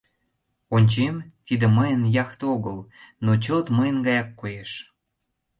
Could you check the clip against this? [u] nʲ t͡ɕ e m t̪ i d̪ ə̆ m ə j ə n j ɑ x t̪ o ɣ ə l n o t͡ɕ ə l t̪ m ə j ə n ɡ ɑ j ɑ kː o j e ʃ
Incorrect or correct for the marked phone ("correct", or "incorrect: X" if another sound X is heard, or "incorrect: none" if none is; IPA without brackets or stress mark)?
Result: incorrect: o